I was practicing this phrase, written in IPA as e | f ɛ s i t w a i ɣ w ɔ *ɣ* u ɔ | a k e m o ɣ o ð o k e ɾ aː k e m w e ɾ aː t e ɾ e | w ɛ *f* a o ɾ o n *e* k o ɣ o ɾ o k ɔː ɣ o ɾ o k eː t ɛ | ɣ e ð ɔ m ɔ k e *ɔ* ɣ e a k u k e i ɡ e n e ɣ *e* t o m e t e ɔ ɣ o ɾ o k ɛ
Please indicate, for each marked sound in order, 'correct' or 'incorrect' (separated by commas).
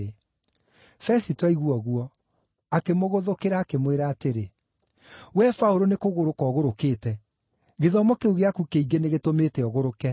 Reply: correct, correct, correct, incorrect, correct